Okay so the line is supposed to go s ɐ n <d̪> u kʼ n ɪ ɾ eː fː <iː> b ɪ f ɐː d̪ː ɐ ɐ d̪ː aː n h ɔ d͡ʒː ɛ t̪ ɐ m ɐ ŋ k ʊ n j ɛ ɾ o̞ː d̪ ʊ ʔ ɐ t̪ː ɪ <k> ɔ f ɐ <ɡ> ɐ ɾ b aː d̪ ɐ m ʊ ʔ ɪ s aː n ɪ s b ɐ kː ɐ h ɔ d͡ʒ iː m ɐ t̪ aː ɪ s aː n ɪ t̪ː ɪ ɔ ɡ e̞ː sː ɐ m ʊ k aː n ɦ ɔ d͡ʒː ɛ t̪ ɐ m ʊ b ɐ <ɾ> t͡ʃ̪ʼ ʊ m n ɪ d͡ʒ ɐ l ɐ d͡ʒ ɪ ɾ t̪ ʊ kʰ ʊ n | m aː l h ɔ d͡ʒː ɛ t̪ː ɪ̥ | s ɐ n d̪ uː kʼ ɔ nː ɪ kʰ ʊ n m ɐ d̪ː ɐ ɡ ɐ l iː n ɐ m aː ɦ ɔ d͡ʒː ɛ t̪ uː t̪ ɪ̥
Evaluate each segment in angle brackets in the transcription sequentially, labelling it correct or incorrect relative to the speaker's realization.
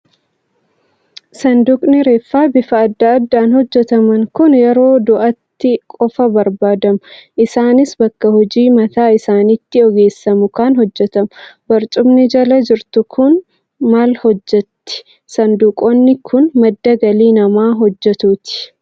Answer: correct, incorrect: aː, incorrect: kʼ, incorrect: b, correct

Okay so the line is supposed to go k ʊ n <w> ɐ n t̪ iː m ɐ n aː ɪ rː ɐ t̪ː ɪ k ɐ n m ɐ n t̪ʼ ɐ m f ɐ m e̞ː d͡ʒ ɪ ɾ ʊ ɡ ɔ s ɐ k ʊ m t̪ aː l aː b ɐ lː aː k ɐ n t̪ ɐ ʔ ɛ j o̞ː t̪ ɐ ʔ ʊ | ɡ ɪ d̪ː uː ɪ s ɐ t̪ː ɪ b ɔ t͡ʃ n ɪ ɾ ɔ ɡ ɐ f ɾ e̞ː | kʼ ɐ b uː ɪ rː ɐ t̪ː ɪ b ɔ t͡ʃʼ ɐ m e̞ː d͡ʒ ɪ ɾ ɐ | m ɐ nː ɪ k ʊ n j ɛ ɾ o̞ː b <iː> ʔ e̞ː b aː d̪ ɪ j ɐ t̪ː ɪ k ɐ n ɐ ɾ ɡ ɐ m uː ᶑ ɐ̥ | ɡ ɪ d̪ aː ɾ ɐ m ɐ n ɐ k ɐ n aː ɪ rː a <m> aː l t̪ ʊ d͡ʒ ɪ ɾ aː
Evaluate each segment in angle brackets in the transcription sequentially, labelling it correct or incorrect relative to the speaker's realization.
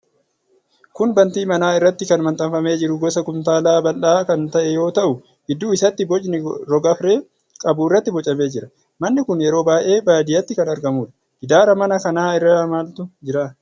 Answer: incorrect: b, incorrect: aː, correct

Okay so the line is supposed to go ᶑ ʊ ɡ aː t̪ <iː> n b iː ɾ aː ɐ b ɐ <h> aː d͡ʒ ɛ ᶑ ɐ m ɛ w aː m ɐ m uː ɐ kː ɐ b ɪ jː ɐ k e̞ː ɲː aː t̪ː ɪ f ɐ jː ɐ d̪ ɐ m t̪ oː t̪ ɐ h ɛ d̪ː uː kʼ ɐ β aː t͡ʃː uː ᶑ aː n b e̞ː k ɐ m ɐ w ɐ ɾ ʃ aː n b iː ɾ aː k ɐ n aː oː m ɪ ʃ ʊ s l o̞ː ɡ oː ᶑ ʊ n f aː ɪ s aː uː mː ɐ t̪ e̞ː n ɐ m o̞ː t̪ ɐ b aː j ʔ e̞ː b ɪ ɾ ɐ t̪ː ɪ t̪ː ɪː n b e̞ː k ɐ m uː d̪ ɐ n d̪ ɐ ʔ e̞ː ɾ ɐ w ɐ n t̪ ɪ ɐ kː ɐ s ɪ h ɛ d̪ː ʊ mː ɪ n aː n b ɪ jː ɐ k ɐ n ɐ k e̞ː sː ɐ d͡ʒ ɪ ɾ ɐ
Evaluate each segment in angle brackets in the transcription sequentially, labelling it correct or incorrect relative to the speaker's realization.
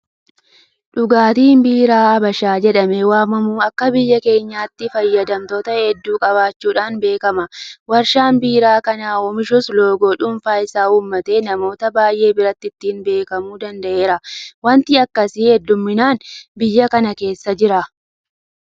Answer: correct, incorrect: ʃ

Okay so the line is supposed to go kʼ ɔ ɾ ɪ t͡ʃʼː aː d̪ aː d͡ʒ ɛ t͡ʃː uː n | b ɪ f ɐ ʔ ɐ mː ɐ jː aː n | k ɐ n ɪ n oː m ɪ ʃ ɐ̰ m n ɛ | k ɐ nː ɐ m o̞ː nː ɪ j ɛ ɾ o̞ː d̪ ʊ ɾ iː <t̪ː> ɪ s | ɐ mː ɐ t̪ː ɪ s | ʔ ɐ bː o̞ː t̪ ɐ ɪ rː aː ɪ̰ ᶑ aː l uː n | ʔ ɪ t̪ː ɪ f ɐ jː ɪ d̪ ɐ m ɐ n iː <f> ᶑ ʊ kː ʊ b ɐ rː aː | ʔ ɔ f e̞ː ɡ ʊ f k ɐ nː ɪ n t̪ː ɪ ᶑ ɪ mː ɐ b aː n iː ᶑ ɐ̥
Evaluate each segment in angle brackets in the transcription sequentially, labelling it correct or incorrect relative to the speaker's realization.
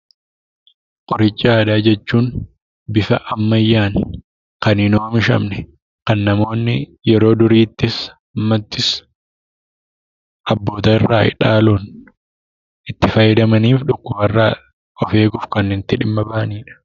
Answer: correct, correct

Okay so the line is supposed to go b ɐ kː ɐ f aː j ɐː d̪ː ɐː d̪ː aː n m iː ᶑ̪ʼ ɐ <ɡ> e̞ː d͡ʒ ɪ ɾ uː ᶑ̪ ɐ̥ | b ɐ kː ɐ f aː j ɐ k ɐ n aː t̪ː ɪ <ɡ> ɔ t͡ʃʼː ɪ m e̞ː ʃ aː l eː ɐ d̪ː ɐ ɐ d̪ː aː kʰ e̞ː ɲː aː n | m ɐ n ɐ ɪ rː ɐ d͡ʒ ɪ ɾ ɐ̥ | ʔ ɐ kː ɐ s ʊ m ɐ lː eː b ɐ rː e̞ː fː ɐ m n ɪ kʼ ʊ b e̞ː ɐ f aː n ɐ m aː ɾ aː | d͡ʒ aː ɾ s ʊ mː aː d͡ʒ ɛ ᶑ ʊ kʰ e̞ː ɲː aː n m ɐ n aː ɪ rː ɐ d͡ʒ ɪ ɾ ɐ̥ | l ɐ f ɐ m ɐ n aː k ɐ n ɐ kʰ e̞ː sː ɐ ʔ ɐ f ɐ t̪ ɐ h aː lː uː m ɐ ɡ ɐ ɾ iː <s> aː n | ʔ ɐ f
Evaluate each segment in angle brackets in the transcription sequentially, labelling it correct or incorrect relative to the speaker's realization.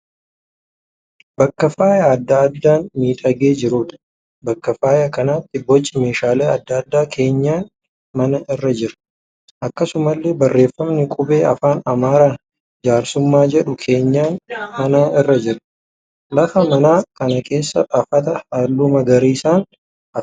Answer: correct, incorrect: b, correct

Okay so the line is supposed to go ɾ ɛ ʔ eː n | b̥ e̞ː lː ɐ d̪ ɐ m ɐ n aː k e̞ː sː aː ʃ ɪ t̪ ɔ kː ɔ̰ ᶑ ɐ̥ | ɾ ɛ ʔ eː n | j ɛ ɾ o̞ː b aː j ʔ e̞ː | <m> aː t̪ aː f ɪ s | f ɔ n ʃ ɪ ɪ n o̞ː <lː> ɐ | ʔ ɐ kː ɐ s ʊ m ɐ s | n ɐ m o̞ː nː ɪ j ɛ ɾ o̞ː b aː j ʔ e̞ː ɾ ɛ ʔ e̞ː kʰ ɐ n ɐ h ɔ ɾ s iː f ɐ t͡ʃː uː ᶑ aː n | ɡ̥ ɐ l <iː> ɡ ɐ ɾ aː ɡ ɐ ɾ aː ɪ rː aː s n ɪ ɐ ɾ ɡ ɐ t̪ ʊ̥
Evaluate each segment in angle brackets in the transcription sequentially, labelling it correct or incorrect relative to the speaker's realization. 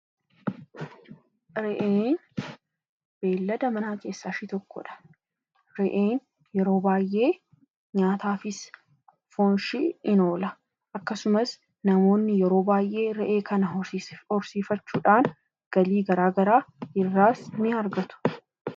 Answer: incorrect: ɲ, incorrect: l, correct

